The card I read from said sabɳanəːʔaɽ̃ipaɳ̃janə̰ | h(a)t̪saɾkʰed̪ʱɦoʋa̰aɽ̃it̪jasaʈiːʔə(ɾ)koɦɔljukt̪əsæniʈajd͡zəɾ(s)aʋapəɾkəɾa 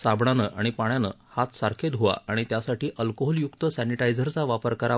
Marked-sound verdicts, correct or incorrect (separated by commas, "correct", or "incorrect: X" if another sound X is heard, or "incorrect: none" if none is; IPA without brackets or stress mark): correct, incorrect: l, incorrect: t͡s